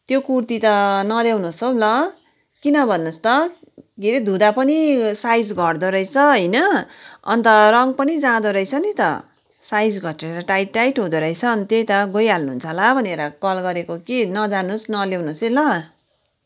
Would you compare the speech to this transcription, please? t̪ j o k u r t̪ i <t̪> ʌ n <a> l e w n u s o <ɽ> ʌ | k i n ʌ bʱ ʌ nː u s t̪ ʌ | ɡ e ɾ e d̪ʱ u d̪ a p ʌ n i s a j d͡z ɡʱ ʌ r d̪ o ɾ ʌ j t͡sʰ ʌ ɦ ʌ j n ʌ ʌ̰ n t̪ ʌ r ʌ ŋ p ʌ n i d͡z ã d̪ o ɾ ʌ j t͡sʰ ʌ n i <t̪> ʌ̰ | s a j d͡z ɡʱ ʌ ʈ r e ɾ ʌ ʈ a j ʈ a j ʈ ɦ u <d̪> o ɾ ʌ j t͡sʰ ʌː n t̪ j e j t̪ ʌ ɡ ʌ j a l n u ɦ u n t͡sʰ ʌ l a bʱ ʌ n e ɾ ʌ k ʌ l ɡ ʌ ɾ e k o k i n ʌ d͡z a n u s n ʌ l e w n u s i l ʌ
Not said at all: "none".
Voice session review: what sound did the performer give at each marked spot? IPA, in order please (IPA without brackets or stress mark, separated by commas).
t̪, ʌ, l, t̪, d̪